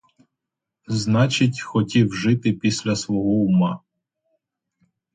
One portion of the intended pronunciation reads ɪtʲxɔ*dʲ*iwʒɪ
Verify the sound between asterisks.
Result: incorrect: tʲ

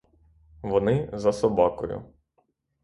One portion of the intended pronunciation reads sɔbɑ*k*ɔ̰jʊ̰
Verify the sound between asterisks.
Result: correct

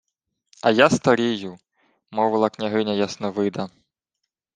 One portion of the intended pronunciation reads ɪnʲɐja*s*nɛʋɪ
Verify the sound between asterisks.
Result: correct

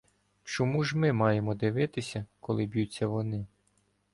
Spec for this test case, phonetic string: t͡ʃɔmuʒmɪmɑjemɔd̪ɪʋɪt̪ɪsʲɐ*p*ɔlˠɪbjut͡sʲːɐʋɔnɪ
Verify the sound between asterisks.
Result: incorrect: k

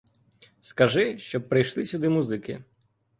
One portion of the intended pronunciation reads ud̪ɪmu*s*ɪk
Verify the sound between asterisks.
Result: incorrect: z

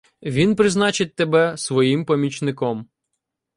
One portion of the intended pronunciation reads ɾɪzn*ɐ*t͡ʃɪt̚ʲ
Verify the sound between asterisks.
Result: incorrect: ɑ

